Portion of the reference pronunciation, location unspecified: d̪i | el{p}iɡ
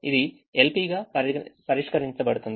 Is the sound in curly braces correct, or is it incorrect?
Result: correct